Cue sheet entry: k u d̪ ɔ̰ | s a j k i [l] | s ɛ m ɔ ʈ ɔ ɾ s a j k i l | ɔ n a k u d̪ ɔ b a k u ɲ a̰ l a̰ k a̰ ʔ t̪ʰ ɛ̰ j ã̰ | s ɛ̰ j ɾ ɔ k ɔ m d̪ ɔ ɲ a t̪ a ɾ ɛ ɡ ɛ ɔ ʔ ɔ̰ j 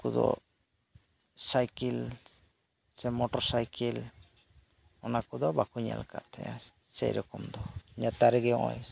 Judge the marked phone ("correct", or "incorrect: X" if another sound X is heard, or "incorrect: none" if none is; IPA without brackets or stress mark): correct